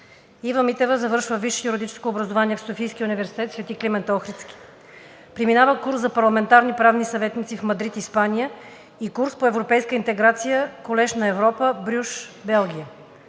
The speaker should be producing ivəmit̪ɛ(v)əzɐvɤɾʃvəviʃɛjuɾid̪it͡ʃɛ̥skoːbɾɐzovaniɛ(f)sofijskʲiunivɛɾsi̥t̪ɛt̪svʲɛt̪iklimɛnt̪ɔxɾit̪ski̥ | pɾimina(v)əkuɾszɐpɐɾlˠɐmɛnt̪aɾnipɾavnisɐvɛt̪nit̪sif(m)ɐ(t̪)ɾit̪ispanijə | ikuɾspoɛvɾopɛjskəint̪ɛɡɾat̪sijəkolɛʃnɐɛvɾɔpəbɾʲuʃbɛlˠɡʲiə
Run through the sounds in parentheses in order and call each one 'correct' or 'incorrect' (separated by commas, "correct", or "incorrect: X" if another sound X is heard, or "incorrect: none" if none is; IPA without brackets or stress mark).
correct, correct, correct, correct, incorrect: d̪